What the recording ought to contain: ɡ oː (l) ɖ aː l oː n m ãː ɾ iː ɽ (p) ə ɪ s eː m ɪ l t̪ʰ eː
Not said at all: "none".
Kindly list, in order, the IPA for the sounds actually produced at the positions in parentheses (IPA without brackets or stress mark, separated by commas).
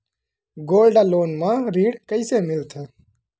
l, k